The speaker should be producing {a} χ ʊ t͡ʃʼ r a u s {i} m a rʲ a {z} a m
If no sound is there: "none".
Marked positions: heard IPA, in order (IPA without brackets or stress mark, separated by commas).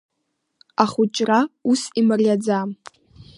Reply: a, i, d͡z